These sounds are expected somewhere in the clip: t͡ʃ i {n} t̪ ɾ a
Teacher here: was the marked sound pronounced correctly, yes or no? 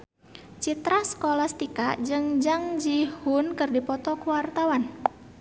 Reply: no